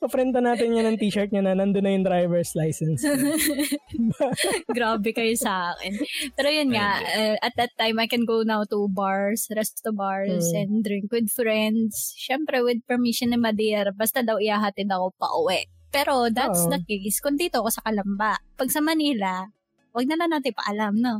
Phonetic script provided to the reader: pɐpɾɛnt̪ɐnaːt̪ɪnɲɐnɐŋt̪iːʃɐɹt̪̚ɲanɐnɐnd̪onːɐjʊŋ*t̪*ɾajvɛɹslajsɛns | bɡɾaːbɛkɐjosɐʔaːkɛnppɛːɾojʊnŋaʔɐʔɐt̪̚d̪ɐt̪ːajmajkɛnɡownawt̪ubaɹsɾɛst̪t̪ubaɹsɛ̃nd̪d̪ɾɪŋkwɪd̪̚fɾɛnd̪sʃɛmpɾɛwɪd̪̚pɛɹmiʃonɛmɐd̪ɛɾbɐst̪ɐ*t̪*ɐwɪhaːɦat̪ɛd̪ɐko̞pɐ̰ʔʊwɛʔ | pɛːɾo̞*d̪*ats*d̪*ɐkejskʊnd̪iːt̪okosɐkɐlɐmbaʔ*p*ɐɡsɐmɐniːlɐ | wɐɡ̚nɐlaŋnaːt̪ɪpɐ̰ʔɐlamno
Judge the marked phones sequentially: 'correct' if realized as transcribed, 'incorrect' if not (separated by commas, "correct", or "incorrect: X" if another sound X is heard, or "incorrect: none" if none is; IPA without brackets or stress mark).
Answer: incorrect: d̪, incorrect: d̪, correct, correct, correct